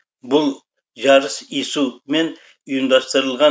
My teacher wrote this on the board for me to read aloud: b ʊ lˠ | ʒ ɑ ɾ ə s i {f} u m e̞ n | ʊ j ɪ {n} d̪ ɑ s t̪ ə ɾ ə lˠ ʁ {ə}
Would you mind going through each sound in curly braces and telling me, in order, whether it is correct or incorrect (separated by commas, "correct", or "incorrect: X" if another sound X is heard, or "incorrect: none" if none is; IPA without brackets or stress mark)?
incorrect: s, incorrect: m, incorrect: ɑ